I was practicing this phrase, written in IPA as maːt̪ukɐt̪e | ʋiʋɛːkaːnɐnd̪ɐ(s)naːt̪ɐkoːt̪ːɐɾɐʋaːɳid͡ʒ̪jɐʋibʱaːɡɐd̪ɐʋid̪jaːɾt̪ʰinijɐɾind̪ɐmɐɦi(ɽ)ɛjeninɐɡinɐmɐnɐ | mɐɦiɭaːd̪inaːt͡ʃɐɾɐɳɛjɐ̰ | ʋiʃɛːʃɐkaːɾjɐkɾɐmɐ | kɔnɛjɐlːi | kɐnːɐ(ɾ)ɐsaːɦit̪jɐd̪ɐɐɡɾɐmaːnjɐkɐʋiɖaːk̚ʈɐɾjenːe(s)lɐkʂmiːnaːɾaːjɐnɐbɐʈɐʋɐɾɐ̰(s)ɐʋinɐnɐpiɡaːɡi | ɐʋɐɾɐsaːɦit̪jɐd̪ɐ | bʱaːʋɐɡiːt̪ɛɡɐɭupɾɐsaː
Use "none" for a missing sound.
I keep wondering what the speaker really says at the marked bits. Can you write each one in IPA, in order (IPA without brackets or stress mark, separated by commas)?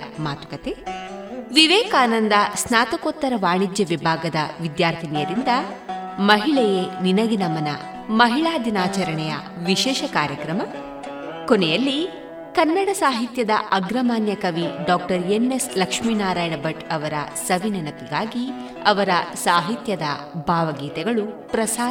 s, ɭ, ɽ, s, s